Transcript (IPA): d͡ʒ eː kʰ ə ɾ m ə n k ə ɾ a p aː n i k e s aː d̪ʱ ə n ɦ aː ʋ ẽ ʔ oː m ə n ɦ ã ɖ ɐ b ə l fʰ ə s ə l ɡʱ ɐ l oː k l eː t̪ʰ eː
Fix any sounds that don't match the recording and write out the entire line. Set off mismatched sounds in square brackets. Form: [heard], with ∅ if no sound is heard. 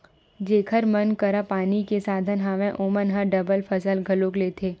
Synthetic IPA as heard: d͡ʒ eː kʰ ə ɾ m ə n k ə ɾ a p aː n i k e s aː d̪ʱ ə n ɦ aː ʋ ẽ ʔ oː m ə n ɦ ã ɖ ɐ b ə l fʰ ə s ə l ɡʱ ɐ l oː k l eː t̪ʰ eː